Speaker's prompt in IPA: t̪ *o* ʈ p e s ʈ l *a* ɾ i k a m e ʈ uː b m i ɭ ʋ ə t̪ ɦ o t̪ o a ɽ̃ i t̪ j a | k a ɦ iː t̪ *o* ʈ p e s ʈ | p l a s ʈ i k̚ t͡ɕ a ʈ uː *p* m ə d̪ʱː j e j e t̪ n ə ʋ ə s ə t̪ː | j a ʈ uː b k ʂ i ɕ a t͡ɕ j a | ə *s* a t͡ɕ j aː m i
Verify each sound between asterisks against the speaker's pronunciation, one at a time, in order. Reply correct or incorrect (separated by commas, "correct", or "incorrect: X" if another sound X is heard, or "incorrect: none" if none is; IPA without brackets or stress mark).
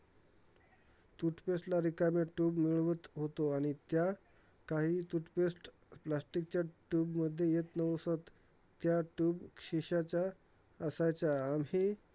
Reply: incorrect: u, correct, incorrect: u, incorrect: b, correct